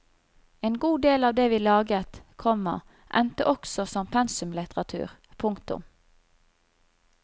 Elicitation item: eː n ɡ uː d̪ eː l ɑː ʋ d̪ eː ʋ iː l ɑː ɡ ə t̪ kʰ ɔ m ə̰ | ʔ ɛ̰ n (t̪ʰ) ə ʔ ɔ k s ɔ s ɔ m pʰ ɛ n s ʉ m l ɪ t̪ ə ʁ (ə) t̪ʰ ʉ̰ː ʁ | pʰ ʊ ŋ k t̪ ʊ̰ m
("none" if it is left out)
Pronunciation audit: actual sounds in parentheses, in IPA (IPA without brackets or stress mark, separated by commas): t̪, ɑ